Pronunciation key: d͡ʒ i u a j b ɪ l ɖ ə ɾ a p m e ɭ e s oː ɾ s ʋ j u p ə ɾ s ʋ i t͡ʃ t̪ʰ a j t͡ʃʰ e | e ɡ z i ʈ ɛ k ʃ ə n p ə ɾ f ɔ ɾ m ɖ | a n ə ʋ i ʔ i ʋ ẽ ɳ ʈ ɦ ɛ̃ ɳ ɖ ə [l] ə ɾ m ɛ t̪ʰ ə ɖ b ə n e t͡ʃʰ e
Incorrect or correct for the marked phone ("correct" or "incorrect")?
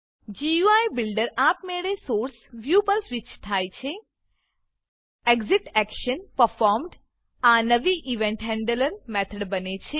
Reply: correct